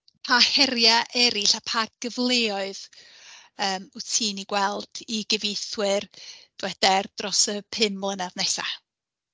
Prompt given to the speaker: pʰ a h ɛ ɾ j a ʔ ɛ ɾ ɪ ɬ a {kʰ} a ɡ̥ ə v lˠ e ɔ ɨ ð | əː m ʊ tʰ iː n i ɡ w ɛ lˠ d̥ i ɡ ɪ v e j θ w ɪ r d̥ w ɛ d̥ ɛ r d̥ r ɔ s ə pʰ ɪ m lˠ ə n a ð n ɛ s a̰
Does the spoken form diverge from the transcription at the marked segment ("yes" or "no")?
yes